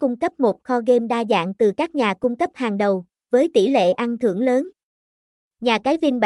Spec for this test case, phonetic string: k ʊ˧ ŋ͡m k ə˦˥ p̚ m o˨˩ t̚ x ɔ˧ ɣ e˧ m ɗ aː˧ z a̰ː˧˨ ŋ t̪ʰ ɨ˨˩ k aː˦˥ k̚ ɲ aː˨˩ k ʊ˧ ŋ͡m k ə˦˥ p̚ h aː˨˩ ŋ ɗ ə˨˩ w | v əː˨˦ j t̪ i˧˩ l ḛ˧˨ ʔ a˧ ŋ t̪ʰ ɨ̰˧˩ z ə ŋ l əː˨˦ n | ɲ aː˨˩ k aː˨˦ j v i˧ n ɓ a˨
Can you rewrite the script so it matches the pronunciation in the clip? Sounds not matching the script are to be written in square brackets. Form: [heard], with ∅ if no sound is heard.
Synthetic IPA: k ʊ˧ ŋ͡m k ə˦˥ p̚ m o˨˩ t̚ x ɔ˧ ɣ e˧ m ɗ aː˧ z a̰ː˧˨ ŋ [t̪] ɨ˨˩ k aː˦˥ k̚ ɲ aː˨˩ k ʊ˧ ŋ͡m k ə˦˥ p̚ h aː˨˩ ŋ ɗ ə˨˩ w | v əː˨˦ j t̪ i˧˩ l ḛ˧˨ ʔ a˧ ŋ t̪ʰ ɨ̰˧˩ [∅] ə ŋ l əː˨˦ n | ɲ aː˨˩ k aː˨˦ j v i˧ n ɓ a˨